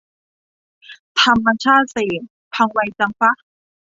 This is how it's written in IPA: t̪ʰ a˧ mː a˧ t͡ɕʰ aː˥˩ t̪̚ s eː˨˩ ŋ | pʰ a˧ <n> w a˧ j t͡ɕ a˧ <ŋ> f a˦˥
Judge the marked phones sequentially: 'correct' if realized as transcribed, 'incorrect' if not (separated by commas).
incorrect, correct